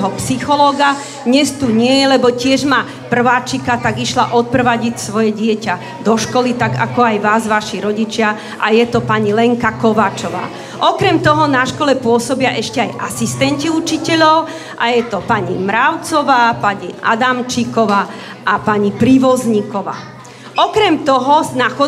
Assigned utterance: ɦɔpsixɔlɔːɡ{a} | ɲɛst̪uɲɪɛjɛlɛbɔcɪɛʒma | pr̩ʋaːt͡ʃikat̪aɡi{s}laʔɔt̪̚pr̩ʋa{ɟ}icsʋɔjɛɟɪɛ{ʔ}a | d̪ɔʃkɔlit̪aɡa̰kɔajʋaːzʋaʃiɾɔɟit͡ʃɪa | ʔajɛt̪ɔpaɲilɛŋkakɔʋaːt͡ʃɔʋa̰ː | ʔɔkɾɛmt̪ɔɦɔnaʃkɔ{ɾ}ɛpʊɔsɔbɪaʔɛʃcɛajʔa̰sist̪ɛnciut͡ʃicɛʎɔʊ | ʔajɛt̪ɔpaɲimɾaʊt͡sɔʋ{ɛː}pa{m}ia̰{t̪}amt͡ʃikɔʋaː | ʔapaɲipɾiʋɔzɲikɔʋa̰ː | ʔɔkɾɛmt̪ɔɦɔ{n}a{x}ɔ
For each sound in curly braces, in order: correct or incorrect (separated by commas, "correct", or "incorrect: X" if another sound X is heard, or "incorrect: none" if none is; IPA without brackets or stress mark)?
correct, incorrect: ʃ, correct, incorrect: c, incorrect: l, incorrect: aː, incorrect: ɲ, incorrect: d̪, correct, correct